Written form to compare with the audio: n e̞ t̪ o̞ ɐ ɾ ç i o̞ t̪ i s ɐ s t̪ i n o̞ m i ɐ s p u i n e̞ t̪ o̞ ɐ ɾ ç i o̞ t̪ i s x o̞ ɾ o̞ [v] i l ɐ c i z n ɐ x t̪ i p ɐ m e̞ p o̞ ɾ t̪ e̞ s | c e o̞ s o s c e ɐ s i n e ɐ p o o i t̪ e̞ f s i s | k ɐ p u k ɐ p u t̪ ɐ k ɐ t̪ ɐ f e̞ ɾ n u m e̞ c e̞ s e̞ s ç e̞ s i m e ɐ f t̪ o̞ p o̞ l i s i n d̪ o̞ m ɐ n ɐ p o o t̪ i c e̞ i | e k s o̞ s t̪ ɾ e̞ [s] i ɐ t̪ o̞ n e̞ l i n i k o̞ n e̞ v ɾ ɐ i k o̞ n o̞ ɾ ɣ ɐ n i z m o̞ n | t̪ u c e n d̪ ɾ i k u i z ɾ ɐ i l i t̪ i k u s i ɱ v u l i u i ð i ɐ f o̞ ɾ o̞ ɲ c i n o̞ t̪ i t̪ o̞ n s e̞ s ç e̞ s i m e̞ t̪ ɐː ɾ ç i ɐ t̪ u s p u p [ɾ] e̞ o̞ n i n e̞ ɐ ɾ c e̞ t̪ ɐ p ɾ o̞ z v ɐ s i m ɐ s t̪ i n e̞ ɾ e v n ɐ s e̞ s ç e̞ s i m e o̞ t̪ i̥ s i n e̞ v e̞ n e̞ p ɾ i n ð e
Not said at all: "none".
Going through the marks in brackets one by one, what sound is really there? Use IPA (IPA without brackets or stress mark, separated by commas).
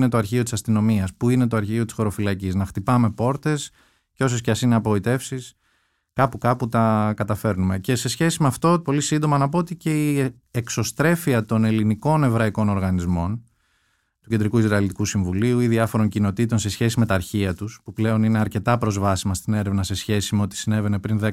f, f, l